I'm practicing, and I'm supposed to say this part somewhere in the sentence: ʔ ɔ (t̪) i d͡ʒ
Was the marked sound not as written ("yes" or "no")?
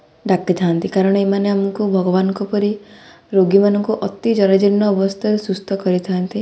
no